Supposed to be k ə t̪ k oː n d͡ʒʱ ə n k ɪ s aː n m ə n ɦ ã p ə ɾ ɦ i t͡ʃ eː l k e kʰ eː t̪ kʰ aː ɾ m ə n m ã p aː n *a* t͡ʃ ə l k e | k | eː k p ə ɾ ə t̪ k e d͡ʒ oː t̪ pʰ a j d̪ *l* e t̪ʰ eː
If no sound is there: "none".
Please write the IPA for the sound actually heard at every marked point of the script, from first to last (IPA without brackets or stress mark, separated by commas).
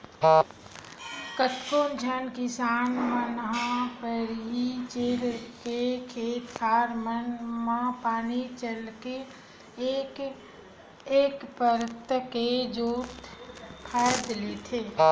i, l